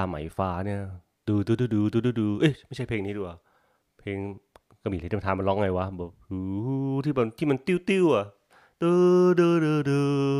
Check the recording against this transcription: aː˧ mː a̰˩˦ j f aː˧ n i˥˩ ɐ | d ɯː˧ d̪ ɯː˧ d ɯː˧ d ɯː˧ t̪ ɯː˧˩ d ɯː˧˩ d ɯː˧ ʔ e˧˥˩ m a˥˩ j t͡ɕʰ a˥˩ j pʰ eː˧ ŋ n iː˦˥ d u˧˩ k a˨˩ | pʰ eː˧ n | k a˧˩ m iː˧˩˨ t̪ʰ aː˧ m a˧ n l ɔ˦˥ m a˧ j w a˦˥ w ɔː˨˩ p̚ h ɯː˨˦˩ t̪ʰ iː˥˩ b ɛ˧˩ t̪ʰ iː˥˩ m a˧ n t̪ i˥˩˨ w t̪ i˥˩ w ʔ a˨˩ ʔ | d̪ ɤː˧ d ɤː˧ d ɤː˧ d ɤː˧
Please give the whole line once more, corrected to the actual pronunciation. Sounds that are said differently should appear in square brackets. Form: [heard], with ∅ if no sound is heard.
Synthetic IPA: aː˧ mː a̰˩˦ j f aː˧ n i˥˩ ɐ | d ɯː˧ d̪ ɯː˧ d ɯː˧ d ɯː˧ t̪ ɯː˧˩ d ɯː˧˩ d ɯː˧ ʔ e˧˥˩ m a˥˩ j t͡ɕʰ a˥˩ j pʰ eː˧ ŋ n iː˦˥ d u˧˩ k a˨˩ | pʰ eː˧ [ŋ] | k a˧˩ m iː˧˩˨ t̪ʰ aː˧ m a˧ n l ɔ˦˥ [ŋ] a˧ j w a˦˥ [b] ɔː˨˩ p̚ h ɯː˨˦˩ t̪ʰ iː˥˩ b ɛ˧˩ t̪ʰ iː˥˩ m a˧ n t̪ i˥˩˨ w t̪ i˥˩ w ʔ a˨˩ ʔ | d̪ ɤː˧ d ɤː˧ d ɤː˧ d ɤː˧